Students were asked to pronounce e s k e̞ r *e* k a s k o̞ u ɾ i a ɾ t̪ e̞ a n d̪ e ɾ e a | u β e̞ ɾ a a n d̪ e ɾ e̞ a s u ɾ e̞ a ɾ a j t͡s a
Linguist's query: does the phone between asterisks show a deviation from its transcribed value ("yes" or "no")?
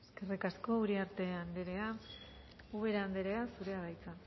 yes